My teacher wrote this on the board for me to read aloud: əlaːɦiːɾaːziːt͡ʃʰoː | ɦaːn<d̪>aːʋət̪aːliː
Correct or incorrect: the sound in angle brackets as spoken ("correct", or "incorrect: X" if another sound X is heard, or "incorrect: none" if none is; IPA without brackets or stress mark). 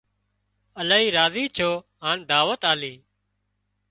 correct